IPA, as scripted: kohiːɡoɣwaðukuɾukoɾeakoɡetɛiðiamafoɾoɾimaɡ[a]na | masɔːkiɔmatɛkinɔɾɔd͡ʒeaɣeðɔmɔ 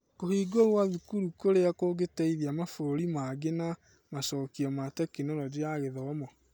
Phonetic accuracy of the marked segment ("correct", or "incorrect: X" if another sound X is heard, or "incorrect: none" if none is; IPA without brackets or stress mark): incorrect: e